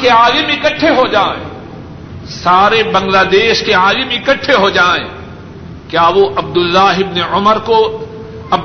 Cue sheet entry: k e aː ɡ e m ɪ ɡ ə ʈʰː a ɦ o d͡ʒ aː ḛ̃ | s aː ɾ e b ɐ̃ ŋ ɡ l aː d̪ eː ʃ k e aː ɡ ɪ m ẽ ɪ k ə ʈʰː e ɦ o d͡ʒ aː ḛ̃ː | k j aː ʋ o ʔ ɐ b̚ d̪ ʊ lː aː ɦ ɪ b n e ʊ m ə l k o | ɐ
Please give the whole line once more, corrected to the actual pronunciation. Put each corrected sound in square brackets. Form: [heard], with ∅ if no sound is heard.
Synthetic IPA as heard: k e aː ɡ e m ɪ [k] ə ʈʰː [e] ɦ o d͡ʒ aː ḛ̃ | s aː ɾ e b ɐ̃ ŋ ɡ l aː d̪ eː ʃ k e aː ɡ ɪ m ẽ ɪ k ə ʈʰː e ɦ o d͡ʒ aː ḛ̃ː | k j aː ʋ o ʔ ɐ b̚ d̪ ʊ lː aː ɦ ɪ b n e ʊ m ə [ɾ] k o | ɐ